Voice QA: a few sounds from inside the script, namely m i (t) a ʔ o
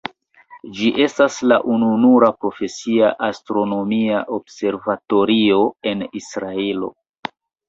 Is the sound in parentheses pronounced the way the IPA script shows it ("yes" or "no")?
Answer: no